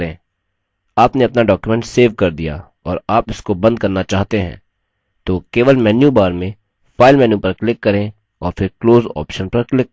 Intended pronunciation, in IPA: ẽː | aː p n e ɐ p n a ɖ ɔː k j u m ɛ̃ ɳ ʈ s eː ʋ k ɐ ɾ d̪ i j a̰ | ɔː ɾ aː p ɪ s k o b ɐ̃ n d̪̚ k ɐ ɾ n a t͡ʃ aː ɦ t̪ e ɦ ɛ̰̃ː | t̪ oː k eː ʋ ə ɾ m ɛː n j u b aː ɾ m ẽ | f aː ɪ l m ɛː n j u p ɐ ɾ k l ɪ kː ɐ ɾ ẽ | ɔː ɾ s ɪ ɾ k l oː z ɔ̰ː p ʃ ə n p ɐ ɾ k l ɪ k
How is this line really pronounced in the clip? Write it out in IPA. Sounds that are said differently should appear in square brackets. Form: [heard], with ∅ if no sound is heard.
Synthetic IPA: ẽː | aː p n e ɐ p n a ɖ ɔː k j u m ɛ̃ ɳ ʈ s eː ʋ k ɐ ɾ d̪ i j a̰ | ɔː ɾ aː p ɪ s k o b ɐ̃ n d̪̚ k ɐ ɾ n a t͡ʃ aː ɦ t̪ e ɦ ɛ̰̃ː | t̪ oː k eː ʋ ə [l] m ɛː n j u b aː ɾ m ẽ | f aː ɪ l m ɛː n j u p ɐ ɾ k l ɪ kː ɐ ɾ ẽ | ɔː ɾ [f] ɪ ɾ k l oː z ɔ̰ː p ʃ ə n p ɐ ɾ k l ɪ k